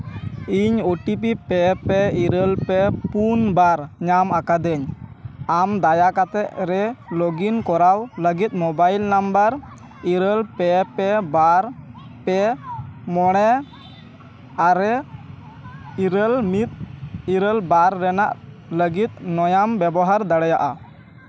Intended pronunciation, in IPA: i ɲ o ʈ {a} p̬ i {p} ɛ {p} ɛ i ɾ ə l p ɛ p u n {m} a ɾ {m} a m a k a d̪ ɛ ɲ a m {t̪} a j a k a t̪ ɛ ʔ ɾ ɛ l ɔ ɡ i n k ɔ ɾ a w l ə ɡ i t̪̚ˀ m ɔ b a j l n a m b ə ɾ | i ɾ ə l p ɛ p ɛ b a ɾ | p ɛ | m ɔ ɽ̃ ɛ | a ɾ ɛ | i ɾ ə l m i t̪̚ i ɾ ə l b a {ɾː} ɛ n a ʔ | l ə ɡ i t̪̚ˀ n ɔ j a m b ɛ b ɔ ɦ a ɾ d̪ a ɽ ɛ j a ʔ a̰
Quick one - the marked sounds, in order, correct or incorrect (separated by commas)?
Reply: incorrect, correct, correct, incorrect, incorrect, incorrect, correct